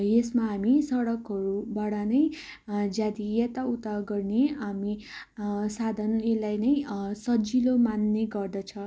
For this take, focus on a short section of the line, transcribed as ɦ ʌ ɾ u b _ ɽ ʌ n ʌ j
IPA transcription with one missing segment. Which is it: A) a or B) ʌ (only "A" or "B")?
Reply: A